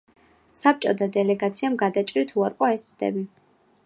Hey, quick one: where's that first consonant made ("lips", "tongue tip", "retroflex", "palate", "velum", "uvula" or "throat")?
tongue tip